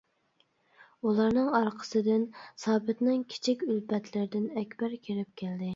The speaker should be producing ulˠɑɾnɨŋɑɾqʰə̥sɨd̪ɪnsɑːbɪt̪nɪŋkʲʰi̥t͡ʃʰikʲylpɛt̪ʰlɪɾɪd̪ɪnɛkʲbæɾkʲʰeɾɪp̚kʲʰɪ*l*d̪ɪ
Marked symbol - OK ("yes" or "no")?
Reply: yes